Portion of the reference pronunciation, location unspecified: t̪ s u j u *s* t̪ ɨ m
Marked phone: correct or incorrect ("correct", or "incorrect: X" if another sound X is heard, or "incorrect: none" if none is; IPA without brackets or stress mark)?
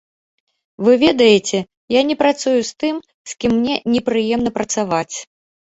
correct